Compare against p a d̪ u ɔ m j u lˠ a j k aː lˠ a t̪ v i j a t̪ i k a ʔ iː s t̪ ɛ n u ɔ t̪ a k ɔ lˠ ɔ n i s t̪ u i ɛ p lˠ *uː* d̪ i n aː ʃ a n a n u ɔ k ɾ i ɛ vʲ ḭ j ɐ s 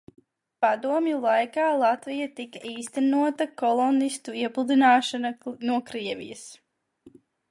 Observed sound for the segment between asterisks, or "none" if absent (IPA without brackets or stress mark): u